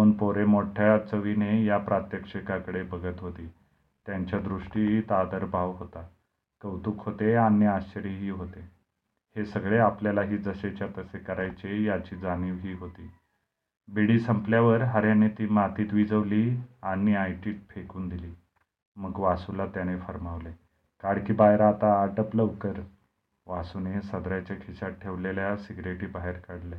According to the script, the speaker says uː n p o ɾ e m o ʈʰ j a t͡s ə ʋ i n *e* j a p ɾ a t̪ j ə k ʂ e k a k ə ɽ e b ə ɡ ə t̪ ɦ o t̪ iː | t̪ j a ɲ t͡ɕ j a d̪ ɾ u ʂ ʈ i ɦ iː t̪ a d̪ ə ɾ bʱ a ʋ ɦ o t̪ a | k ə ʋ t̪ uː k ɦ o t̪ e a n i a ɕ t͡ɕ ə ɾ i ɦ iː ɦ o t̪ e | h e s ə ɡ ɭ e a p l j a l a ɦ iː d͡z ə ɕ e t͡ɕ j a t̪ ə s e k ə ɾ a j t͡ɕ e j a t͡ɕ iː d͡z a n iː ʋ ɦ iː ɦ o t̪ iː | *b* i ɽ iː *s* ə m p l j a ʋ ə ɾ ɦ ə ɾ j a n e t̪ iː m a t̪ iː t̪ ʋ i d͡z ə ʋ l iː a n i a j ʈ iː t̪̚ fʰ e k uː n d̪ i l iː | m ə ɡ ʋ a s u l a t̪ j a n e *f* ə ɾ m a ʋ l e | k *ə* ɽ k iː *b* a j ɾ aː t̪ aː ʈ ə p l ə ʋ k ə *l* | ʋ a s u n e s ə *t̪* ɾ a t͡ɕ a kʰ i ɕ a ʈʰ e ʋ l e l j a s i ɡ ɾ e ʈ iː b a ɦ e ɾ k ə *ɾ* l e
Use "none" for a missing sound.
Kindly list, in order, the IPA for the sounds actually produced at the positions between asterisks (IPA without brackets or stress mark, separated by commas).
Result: e, b, s, f, a, b, ɾ, d̪, ɽ